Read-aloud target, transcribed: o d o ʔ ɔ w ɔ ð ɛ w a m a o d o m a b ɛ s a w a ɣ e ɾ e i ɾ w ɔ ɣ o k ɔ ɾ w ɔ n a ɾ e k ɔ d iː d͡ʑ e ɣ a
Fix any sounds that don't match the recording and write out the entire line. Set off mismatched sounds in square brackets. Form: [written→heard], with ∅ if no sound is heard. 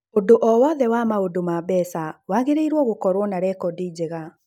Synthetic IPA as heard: o d o ʔ ɔ w ɔ ð ɛ w a m a o d o m a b ɛ s a w a ɣ e ɾ e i ɾ w ɔ ɣ o k ɔ ɾ w ɔ n a ɾ [e→ɛ] k ɔ d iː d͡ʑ e ɣ a